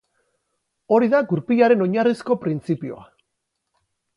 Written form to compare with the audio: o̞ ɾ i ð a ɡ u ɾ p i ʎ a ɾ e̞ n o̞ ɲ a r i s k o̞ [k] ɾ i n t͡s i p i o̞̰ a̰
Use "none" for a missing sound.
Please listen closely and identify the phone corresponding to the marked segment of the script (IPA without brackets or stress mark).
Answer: p